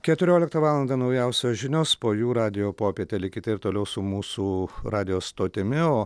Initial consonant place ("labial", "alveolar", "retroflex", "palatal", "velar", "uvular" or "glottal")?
velar